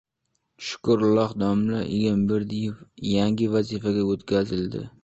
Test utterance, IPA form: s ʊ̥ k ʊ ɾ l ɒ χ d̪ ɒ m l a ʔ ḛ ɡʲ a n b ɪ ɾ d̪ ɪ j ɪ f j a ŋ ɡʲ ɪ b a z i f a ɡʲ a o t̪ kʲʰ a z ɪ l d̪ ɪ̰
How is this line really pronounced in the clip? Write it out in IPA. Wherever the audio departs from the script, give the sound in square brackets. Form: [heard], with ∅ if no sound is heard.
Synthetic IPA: [ʃ] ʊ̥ k ʊ ɾ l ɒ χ d̪ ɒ m l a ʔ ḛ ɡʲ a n b ɪ ɾ d̪ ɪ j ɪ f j a ŋ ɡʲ ɪ [v] a z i f a ɡʲ a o t̪ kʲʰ a z ɪ l d̪ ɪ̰